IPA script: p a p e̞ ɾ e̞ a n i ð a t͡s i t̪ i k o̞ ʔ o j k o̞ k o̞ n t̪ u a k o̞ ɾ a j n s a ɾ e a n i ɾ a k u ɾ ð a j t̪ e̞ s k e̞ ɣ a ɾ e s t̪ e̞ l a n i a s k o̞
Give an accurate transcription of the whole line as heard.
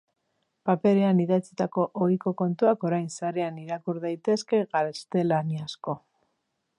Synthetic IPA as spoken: p a p e̞ ɾ e̞ a n i ð a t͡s i t̪ a k o̞ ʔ o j k o̞ k o̞ n t̪ u a k o̞ ɾ a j n s a ɾ e a n i ɾ a k u ɾ ð a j t̪ e̞ s k e̞ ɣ a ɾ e s t̪ e̞ l a n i a s k o̞